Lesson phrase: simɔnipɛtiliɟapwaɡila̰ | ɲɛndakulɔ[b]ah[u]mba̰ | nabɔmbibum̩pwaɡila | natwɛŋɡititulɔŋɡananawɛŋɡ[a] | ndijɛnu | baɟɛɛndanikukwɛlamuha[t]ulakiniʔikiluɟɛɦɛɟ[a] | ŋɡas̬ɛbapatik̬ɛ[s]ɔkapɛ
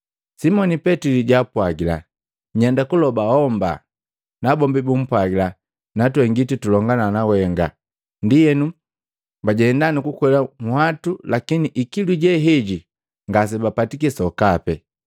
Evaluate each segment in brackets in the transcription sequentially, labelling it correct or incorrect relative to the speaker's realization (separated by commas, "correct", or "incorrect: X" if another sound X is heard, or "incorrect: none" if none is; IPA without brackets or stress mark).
correct, incorrect: ɔ, correct, correct, incorrect: i, correct